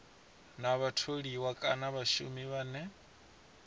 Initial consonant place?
alveolar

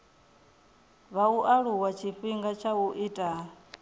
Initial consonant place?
labial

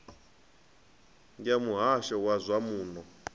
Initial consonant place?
velar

